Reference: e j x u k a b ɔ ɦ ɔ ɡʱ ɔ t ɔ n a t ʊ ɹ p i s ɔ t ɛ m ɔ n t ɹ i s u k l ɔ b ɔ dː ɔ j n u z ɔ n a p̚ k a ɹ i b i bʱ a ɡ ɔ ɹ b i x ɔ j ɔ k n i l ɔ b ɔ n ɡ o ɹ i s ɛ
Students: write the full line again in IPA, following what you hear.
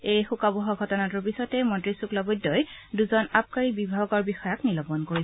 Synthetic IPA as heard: e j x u k a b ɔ ɦ ɔ ɡʱ ɔ t ɔ n a t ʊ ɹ p i s ɔ t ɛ m ɔ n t ɹ i s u k l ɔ b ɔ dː ɔ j d u z ɔ n a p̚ k a ɹ i b i bʱ a ɡ ɔ ɹ b i x ɔ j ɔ k n i l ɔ b ɔ n k o ɹ i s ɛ